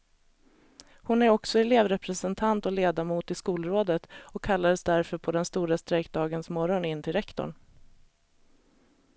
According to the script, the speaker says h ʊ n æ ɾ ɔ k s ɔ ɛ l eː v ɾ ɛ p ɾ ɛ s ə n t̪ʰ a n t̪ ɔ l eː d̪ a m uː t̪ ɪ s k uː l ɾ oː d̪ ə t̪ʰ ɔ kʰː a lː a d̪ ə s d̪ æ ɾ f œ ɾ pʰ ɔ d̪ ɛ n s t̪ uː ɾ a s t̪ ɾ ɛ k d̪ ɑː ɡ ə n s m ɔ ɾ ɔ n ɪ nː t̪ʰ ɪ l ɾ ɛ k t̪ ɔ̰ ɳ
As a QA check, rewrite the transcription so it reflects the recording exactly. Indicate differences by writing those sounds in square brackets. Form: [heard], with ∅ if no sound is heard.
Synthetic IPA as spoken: h ʊ n æ ɾ ɔ k s ɔ ɛ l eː v ɾ ɛ p ɾ ɛ s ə n t̪ʰ a n t̪ ɔ l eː d̪ a m uː t̪ ɪ s k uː l ɾ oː d̪ ə [t̪] ɔ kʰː a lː a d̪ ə s d̪ æ ɾ f œ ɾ pʰ ɔ d̪ ɛ n s t̪ uː ɾ a s t̪ ɾ ɛ k d̪ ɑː ɡ ə n s m ɔ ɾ ɔ n ɪ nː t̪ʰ ɪ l ɾ ɛ k t̪ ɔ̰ ɳ